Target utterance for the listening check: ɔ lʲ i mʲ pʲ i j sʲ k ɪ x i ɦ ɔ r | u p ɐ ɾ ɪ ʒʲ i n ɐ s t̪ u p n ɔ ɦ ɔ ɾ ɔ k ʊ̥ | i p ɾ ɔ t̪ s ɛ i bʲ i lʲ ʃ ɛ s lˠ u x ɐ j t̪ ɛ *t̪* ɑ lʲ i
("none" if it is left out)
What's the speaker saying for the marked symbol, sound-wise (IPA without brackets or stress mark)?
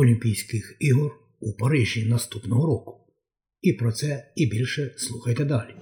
d̪